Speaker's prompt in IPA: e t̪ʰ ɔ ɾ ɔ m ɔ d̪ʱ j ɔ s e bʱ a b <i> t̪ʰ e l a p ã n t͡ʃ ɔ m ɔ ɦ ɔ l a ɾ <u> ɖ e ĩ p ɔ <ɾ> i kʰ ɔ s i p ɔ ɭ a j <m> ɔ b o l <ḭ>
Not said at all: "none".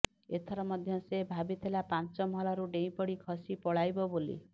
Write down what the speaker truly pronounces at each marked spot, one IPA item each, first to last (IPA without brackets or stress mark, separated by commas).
i, u, ɽ, b, ḭ